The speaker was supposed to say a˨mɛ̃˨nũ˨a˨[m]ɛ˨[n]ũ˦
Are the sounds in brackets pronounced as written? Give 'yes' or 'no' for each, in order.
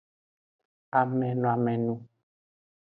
yes, yes

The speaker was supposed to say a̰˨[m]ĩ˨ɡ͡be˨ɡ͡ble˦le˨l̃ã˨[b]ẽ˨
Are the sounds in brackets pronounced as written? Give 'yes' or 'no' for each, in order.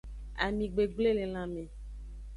yes, no

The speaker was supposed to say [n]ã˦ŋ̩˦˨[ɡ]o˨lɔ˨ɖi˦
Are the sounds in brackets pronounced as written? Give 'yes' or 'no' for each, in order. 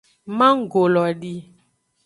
no, yes

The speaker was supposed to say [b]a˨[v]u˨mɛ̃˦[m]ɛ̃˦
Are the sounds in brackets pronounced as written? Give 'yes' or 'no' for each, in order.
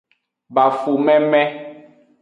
yes, no, yes

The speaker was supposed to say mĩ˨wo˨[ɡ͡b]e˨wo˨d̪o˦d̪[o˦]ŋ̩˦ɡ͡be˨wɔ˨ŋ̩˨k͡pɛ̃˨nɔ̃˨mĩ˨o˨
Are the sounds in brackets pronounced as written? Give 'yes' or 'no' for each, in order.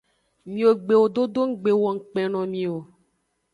yes, yes

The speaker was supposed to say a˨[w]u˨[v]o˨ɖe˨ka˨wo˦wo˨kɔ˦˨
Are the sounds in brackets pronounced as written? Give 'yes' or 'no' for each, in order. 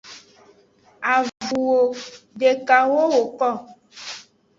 no, no

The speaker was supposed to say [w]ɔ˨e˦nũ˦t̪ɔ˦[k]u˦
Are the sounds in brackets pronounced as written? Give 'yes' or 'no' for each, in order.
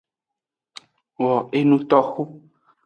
yes, no

